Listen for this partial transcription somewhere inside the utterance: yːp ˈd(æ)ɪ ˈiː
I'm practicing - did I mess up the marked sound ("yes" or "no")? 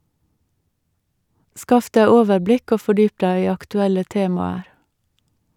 no